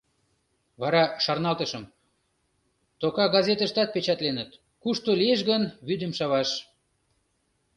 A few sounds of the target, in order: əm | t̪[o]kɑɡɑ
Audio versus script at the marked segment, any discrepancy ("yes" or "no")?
no